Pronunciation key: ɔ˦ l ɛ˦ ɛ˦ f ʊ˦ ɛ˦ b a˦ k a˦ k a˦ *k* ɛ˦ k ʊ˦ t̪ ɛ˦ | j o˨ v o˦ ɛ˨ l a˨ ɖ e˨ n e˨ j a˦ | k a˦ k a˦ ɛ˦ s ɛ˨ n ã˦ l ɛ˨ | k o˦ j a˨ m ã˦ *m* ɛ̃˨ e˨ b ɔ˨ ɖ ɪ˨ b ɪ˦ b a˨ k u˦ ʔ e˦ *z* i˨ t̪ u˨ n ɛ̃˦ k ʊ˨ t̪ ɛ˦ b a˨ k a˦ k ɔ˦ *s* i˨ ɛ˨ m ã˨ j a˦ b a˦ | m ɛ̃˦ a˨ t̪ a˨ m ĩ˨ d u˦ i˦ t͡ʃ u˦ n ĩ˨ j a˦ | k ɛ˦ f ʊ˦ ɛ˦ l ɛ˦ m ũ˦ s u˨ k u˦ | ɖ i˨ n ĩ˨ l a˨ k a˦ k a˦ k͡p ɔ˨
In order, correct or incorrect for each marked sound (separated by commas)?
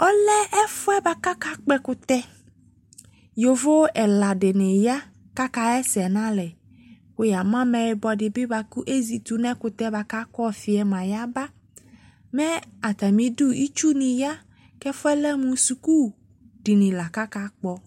incorrect, correct, correct, incorrect